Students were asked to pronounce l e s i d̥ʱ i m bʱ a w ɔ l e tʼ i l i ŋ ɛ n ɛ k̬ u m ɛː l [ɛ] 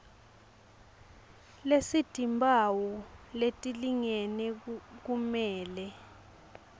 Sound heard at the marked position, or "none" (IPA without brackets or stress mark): ɛ